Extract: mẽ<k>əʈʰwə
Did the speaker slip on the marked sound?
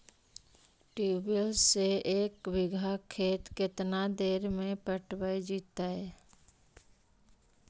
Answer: yes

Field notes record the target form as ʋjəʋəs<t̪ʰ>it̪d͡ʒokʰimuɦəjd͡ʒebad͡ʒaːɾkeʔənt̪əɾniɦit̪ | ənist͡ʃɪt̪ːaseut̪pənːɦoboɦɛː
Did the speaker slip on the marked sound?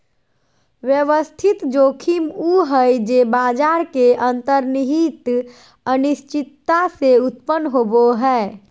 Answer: no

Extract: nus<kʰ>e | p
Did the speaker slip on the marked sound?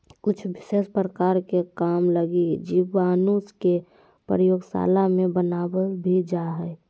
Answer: yes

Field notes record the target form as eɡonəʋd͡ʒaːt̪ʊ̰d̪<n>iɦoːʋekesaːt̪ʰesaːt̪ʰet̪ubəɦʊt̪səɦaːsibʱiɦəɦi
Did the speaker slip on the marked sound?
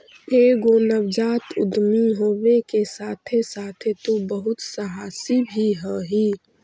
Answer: yes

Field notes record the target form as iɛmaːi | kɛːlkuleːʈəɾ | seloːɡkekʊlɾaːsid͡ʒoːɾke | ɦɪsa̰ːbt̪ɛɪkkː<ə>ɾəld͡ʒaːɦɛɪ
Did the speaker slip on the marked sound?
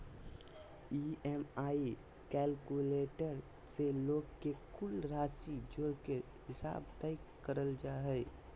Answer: no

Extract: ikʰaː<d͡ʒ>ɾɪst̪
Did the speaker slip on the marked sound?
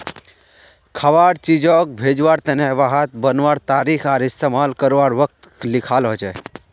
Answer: yes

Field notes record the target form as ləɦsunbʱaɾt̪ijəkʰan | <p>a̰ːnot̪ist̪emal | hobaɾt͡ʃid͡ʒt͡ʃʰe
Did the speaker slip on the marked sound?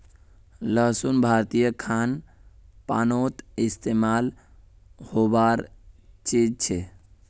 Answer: no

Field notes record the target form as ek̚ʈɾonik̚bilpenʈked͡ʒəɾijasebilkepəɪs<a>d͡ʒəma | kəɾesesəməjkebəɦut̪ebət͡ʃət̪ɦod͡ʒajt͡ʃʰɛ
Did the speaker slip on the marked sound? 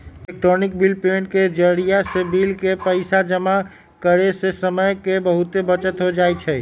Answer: no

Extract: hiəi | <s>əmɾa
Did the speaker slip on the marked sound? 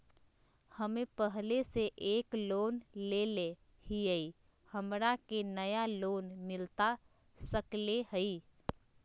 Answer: yes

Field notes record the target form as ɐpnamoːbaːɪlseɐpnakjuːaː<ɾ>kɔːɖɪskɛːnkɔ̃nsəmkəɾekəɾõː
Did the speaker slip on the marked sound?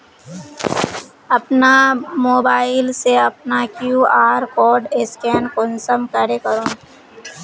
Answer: no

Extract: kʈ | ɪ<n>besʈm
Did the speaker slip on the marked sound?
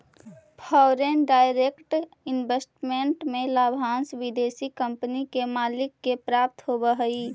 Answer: no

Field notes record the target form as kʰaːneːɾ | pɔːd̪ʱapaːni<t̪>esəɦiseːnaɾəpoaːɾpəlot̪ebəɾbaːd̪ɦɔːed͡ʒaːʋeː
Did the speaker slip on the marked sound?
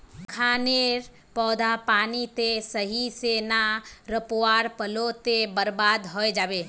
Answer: no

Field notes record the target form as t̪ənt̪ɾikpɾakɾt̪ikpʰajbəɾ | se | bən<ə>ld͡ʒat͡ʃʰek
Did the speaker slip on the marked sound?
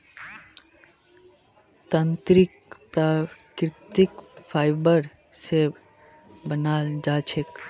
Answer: yes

